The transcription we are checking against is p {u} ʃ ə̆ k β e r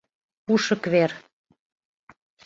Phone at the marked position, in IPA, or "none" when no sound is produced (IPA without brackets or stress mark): u